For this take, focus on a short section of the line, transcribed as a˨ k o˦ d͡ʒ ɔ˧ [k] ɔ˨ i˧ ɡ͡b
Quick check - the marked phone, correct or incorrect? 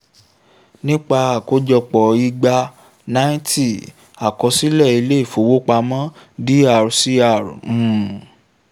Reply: incorrect